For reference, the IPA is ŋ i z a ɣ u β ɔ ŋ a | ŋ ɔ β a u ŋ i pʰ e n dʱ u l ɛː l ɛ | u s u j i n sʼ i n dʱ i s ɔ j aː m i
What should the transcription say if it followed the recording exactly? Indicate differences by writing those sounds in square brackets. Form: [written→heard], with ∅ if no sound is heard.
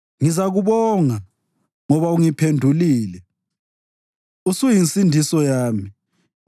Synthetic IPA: ŋ i z a ɣ u β ɔ ŋ a | ŋ ɔ β a u ŋ i pʰ e n dʱ u l [ɛː→iː] l ɛ | u s u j i n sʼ i n dʱ i s ɔ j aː m i